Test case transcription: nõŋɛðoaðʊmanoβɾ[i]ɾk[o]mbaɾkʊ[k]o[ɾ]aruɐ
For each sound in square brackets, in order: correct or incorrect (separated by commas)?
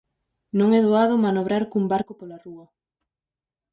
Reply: incorrect, incorrect, incorrect, incorrect